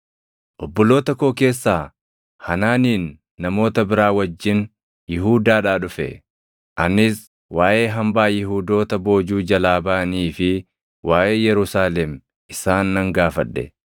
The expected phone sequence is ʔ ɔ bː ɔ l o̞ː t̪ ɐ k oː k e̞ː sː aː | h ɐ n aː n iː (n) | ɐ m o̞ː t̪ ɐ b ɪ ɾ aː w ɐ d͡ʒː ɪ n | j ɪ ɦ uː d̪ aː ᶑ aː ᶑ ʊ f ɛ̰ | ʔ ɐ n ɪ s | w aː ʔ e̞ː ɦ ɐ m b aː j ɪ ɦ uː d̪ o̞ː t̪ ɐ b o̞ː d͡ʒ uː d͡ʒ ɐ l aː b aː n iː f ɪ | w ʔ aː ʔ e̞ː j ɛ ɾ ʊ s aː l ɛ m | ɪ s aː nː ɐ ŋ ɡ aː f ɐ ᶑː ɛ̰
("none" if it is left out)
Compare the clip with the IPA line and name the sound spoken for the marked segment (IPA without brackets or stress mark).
nː